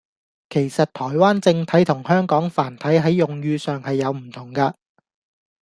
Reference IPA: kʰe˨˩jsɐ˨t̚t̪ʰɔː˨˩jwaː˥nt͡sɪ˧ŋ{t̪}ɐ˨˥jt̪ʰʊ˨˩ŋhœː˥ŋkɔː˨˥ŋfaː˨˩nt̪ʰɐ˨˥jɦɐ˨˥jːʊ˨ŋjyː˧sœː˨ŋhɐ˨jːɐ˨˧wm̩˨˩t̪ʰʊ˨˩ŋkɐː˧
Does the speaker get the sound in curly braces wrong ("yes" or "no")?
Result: yes